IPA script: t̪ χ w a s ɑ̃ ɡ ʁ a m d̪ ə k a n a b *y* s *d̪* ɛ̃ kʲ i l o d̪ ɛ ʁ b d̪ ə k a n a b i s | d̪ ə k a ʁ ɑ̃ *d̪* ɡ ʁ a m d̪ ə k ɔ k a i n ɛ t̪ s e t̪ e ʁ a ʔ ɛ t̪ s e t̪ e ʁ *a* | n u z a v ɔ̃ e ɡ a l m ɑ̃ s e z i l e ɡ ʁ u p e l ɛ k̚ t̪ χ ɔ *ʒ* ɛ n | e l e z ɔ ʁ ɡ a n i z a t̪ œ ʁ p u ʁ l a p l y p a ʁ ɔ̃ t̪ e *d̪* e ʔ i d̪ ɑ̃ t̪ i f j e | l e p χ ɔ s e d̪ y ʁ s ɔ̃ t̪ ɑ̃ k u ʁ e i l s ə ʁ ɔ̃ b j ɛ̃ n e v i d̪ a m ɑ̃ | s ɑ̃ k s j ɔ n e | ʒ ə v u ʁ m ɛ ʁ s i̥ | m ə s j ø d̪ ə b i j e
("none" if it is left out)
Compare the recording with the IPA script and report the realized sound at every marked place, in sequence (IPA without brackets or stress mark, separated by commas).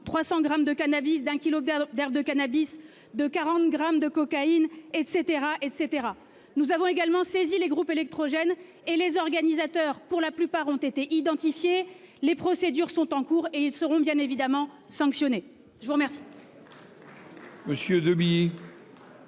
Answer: i, d̪, t̪, a, ʒ, t̪